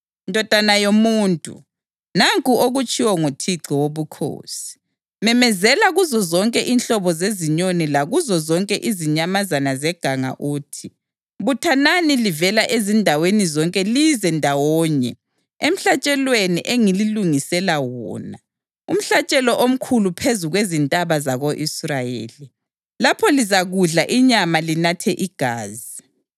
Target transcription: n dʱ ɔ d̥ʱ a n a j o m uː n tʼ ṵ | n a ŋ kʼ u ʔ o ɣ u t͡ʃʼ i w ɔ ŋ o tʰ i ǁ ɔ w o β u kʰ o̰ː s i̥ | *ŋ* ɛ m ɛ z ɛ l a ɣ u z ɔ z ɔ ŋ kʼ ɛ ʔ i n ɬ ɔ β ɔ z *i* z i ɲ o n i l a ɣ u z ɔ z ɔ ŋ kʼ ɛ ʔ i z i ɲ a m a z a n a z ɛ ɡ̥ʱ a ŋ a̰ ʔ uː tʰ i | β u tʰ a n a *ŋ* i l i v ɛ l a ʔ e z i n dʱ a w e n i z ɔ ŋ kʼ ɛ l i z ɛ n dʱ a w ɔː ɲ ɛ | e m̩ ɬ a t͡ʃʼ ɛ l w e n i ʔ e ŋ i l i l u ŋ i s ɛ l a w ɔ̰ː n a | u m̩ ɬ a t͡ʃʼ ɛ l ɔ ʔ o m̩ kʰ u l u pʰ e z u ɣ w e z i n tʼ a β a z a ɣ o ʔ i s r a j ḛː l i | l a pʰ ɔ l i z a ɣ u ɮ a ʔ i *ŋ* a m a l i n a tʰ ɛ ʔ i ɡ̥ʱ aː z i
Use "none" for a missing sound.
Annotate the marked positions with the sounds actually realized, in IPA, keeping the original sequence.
m, e, n, ɲ

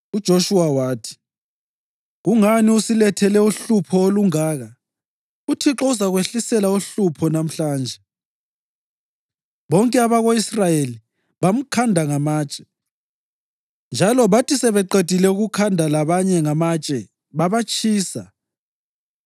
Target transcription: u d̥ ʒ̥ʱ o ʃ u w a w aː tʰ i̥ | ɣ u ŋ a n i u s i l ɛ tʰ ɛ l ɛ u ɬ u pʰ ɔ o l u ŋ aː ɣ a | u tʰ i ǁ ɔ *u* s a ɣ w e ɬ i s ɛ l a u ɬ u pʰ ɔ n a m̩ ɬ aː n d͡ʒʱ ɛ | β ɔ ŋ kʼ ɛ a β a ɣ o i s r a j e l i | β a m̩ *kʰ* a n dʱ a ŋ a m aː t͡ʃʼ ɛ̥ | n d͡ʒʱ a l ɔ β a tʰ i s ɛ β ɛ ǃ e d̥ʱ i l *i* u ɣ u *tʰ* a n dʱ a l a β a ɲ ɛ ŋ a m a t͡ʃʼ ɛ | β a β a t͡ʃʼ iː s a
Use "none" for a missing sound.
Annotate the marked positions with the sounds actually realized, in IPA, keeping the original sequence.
u, kʰ, ɛ, kʰ

